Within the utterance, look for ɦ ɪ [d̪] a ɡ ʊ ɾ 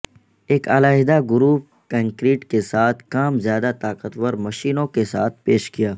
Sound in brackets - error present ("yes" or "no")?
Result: no